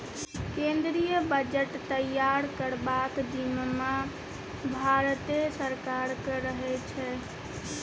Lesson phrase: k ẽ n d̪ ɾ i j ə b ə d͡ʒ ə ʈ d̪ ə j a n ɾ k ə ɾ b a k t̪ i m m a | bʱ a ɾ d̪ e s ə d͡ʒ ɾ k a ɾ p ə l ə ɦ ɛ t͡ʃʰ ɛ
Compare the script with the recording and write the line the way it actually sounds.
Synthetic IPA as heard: k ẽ n d̪ ɾ i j ə b ə d͡ʒ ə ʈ t̪ ə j a ɾ k ə ɾ b a k d̪ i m m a | bʱ a ɾ t̪ e s ə ɾ k a ɾ k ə ɾ ə ɦ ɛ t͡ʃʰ ɛ